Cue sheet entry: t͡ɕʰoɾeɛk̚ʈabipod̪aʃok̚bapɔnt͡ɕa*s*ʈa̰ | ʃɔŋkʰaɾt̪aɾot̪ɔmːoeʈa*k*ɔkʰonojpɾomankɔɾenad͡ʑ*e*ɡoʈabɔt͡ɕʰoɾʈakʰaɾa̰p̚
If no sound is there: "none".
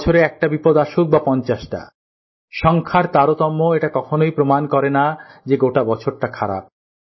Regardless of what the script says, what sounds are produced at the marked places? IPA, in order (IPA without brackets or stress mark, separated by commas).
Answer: ʃ, k, e